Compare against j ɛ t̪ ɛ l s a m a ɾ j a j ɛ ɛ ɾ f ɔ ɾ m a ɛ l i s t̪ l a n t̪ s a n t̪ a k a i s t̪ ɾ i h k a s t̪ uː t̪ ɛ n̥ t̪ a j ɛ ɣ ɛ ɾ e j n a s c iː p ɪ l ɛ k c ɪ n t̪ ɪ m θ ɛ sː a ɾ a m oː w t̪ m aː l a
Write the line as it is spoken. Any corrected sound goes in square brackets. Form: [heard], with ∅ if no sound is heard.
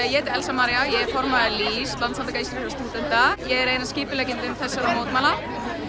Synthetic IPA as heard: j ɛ t̪ ɛ l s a m a ɾ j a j ɛ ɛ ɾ f ɔ ɾ m a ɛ l i s t̪ l a n t̪ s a n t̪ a k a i s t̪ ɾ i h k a s t̪ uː t̪ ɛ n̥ t̪ a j ɛ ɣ ɛ ɾ e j n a s c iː p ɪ l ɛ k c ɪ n t̪ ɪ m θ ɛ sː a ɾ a m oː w t̪ m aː l a